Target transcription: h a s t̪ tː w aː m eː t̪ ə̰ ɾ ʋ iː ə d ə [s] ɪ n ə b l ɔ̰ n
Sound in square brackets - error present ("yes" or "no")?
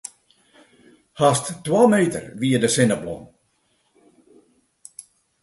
no